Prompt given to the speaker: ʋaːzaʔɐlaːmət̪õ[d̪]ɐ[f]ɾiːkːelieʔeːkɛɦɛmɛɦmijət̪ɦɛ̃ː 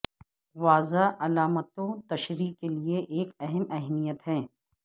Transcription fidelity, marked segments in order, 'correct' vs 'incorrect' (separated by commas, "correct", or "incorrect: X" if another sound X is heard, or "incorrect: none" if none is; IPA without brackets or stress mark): incorrect: t̪, incorrect: ʃ